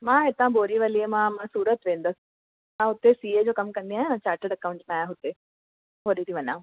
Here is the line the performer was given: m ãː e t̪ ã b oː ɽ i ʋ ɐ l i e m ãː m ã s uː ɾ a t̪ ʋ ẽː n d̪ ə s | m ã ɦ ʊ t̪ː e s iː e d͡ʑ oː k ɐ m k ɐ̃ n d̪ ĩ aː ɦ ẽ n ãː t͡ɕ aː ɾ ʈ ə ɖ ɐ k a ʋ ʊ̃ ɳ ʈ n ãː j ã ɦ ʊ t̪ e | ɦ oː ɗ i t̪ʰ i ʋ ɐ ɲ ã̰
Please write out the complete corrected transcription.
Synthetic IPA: m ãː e t̪ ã b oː ɾ i ʋ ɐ l i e m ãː m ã s uː ɾ ə t̪ ʋ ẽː n d̪ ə s | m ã ɦ ʊ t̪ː e s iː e d͡ʑ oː k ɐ m k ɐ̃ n d̪ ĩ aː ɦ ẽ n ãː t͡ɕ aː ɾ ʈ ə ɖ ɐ k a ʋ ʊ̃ ɳ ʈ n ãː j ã ɦ ʊ t̪ e | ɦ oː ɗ i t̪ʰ i ʋ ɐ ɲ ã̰